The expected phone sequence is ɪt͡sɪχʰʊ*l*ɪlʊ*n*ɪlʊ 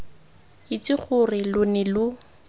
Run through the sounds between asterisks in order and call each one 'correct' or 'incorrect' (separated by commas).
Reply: incorrect, correct